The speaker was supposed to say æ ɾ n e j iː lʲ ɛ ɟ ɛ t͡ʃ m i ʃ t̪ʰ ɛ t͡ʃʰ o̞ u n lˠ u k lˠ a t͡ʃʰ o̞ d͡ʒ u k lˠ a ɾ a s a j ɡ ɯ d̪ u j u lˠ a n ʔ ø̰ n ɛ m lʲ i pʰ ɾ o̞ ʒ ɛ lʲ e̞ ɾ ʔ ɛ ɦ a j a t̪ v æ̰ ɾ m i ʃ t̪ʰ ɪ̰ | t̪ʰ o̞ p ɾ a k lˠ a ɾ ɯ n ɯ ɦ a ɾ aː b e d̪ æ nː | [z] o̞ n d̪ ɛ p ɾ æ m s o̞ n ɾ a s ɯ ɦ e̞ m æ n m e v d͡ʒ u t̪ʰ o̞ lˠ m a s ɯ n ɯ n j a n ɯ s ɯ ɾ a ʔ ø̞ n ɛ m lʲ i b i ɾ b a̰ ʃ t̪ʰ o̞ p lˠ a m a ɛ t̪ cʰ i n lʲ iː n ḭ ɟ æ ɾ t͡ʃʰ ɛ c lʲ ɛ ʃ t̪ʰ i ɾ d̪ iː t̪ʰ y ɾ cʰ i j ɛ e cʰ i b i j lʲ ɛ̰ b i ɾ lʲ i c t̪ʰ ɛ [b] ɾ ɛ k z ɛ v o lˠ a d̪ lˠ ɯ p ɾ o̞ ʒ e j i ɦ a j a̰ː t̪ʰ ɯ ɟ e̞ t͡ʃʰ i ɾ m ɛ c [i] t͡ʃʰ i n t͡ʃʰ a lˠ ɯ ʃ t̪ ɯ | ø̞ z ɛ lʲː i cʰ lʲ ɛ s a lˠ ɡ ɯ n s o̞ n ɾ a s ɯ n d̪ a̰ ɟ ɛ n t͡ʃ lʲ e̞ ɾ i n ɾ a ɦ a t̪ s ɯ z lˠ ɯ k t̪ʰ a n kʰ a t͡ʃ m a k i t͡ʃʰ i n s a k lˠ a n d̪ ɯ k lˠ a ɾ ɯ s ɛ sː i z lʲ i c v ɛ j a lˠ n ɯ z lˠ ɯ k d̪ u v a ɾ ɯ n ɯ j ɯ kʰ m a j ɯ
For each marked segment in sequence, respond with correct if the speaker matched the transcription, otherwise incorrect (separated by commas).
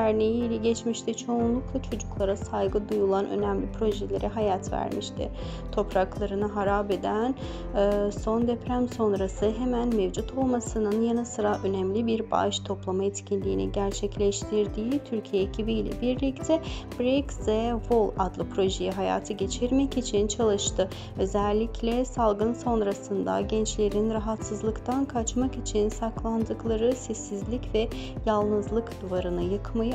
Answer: incorrect, correct, correct